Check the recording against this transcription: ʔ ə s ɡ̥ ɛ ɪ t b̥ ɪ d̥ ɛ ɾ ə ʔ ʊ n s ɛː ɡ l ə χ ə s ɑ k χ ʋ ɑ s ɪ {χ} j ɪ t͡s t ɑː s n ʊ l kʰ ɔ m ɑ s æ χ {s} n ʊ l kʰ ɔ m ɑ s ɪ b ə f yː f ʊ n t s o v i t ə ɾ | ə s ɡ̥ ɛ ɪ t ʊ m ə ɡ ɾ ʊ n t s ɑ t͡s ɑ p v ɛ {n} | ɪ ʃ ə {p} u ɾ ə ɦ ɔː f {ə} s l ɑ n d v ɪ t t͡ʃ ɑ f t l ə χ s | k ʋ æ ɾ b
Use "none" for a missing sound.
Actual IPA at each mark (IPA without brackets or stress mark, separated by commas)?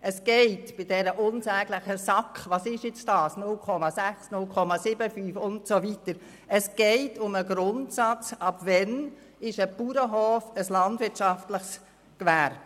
ʃ, s, n, p, ə